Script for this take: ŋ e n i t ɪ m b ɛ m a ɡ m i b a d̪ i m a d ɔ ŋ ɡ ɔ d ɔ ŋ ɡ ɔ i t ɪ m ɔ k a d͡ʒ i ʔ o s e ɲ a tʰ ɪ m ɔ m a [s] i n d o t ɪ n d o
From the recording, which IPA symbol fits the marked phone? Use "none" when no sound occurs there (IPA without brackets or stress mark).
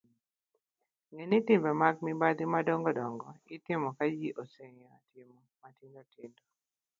t